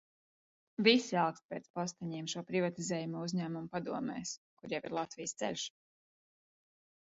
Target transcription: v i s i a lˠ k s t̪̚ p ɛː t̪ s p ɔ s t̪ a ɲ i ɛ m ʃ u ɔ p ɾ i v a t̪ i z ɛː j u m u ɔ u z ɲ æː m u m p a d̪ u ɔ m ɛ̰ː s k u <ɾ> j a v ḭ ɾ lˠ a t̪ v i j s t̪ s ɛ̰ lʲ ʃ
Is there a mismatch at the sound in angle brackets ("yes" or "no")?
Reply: no